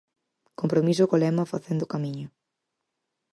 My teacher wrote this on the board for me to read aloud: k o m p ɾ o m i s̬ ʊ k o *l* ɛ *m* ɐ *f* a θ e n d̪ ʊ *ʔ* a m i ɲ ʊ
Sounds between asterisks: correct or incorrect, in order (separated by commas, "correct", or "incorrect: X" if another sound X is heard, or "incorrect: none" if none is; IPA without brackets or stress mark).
correct, correct, correct, incorrect: k